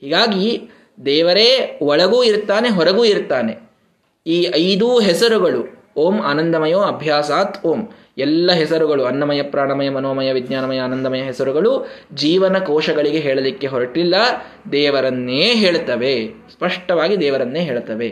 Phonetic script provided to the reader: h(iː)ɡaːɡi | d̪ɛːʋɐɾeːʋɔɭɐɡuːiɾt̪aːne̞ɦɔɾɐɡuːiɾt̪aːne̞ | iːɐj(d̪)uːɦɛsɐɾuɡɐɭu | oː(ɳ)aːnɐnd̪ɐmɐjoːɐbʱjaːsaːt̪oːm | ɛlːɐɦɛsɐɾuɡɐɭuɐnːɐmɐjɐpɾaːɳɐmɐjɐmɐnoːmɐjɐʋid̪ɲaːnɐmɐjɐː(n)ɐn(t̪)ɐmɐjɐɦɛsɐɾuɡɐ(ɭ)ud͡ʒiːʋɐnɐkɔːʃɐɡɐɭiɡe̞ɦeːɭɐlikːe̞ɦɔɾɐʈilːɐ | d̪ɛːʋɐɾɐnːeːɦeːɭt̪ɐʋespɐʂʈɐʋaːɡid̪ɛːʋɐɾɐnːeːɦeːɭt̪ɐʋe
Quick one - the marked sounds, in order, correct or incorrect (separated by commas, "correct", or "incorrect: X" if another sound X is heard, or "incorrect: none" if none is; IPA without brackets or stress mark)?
correct, correct, incorrect: m, correct, incorrect: d̪, correct